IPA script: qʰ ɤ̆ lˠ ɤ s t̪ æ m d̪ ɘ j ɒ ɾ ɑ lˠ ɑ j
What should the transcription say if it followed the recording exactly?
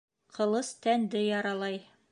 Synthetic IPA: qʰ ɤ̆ lˠ ɤ s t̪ æ n d̪ ɘ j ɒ ɾ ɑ lˠ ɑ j